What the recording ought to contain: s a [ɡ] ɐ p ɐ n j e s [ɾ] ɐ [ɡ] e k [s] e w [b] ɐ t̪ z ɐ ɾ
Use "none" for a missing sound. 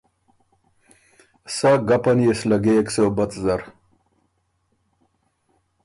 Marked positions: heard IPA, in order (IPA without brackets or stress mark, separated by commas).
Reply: ɡ, l, ɡ, s, b